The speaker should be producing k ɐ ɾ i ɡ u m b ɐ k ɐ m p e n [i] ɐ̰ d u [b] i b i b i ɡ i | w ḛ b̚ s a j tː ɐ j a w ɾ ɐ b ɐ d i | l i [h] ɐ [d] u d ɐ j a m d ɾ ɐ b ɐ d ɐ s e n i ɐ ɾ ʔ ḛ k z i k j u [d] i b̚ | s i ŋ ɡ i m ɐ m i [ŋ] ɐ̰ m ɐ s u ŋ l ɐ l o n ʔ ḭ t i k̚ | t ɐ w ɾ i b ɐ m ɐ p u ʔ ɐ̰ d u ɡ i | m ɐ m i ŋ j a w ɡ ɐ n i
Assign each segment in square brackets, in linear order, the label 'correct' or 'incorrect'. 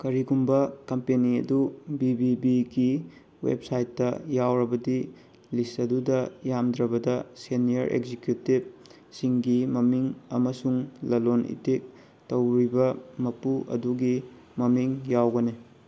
correct, correct, incorrect: s, correct, incorrect: t, correct

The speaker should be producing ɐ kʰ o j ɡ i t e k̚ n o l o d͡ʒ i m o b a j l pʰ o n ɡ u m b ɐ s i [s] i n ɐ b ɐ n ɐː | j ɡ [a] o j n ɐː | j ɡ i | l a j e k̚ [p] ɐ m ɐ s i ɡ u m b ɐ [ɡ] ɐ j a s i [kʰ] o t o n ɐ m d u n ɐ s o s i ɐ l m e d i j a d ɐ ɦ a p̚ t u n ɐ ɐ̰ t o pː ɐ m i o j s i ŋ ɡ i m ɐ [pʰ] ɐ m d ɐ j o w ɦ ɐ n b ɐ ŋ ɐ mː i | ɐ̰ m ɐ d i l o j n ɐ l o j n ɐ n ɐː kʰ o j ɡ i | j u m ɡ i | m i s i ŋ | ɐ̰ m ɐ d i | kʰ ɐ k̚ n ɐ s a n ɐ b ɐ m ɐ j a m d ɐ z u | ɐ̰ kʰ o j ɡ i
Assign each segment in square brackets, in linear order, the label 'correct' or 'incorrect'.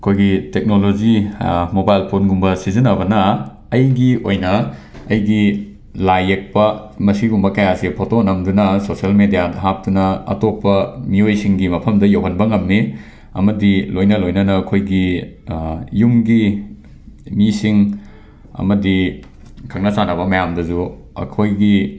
incorrect: z, incorrect: i, correct, incorrect: k, incorrect: pʰ, correct

